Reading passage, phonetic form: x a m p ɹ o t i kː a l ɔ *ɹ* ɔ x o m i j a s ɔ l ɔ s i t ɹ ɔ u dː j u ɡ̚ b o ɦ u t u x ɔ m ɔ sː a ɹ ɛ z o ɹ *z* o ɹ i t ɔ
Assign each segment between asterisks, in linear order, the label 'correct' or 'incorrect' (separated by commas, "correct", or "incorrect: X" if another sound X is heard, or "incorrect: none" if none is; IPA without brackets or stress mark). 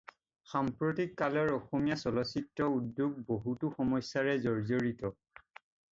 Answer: correct, correct